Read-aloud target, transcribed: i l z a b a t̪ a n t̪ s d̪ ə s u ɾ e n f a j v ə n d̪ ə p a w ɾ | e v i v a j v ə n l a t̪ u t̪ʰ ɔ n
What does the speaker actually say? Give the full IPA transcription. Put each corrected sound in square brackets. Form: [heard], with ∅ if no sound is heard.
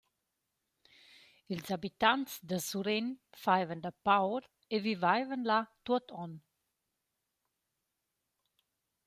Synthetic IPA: i l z a b [i] t̪ a n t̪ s d̪ ə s u ɾ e n f a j v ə n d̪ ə p a w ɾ | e v i v a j v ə n l a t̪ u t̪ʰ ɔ n